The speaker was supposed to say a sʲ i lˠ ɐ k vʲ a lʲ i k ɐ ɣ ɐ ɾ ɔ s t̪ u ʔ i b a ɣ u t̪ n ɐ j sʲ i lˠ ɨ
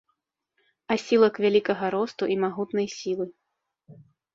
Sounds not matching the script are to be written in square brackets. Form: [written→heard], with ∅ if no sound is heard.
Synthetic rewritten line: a sʲ i lˠ ɐ k vʲ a lʲ i k ɐ ɣ ɐ ɾ ɔ s t̪ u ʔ i [b→m] a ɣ u t̪ n ɐ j sʲ i lˠ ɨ

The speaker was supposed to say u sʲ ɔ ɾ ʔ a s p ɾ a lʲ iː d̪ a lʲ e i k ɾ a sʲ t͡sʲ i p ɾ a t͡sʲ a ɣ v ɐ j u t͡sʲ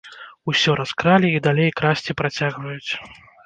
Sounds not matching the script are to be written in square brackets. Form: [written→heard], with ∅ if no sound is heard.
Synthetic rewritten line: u sʲ ɔ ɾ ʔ a s [p→k] ɾ a lʲ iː d̪ a lʲ e [i→j] k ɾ a sʲ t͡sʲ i p ɾ a t͡sʲ a ɣ v ɐ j u t͡sʲ

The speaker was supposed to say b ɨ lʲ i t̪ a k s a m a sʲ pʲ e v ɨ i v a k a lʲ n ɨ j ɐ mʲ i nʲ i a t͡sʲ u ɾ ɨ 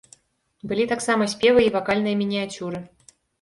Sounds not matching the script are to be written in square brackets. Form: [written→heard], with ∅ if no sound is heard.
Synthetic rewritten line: b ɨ lʲ i t̪ a k s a m [a→ɐ] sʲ pʲ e v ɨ i v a k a lʲ n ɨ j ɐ mʲ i nʲ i a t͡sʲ u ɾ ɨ

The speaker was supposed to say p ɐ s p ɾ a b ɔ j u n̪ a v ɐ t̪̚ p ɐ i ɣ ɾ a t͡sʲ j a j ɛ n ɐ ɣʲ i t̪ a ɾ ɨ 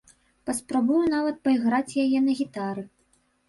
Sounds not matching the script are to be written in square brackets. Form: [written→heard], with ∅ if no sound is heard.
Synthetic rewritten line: p ɐ s p ɾ a b [ɔ→u] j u n̪ a v ɐ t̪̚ p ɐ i ɣ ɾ a t͡sʲ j a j ɛ n ɐ ɣʲ i t̪ a ɾ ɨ

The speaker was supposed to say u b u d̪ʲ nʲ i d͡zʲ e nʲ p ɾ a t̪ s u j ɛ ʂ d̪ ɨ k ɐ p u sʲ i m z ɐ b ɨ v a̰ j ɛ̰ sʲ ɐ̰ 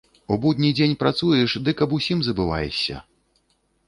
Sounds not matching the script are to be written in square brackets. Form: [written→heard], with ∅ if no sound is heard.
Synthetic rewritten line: u b u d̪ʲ nʲ i d͡zʲ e nʲ p ɾ a t̪ s u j ɛ ʂ d̪ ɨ k ɐ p u sʲ i m z ɐ b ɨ v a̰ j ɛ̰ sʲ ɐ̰

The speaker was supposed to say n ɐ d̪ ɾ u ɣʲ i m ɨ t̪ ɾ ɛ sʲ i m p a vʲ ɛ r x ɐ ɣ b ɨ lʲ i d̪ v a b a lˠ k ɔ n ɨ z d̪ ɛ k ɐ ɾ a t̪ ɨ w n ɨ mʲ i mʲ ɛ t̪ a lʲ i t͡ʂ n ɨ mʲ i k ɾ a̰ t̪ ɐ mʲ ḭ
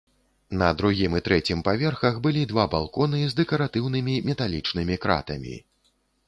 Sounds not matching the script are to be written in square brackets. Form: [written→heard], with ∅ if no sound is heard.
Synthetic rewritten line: n ɐ d̪ ɾ u ɣʲ i m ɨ t̪ ɾ ɛ [sʲ→t͡sʲ] i m p a vʲ ɛ r x ɐ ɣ b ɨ lʲ i d̪ v a b a lˠ k ɔ n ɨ z d̪ ɛ k ɐ ɾ a t̪ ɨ w n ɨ mʲ i mʲ ɛ t̪ a lʲ i t͡ʂ n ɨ mʲ i k ɾ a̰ t̪ ɐ mʲ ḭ

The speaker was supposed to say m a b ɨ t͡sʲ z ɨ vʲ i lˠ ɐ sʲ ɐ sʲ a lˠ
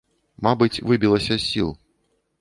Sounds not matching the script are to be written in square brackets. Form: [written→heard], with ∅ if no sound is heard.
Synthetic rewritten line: m a b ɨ t͡sʲ [z→v] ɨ [vʲ→bʲ] i lˠ ɐ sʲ ɐ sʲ [a→i] lˠ

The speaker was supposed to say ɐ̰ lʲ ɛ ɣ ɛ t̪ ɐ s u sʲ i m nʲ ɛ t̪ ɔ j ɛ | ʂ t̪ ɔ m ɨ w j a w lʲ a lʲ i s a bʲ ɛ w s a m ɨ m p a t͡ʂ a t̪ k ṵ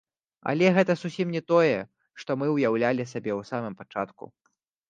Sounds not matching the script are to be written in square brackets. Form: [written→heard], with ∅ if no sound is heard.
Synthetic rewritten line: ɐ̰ lʲ ɛ ɣ ɛ t̪ ɐ s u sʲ i m nʲ ɛ t̪ ɔ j ɛ | ʂ t̪ ɔ m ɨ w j a w lʲ a lʲ i s a bʲ ɛ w s a m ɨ m p a t͡ʂ a t̪ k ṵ

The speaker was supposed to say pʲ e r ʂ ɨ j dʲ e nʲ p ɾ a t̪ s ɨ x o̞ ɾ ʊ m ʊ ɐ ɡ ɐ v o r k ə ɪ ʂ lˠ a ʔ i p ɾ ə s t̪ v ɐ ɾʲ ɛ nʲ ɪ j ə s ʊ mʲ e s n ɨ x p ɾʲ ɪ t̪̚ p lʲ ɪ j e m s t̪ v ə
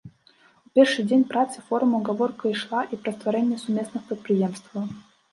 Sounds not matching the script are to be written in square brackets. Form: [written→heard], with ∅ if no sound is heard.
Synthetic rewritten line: pʲ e r ʂ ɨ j dʲ e nʲ p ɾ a t̪ s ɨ [x→f] o̞ ɾ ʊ m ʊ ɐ ɡ ɐ v o r k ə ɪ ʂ lˠ a ʔ i p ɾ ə s t̪ v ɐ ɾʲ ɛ nʲ ɪ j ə s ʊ mʲ e s n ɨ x p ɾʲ ɪ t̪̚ p [lʲ→ɾʲ] ɪ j e m s t̪ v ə

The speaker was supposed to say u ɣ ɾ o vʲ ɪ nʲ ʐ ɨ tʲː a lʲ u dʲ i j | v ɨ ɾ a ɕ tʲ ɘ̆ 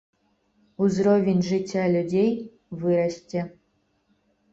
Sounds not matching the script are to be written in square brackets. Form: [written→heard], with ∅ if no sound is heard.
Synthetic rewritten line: u [ɣ→z] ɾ o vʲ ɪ nʲ ʐ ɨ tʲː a lʲ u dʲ [i→e] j | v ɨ ɾ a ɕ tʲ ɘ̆

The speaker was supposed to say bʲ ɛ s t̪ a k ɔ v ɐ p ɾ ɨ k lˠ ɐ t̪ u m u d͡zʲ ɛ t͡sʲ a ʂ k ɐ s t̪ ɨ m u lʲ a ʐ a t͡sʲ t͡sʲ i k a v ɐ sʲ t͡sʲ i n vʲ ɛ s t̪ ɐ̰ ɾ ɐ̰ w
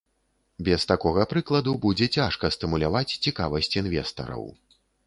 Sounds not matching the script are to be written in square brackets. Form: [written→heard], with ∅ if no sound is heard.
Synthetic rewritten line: bʲ ɛ s t̪ a k ɔ [v→ɣ] ɐ p ɾ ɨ k lˠ ɐ [t̪→d̪] u [m→b] u d͡zʲ ɛ t͡sʲ a ʂ k ɐ s t̪ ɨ m u lʲ a [ʐ→v] a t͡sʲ t͡sʲ i k a v ɐ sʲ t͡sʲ i n vʲ ɛ s t̪ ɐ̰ ɾ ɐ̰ w

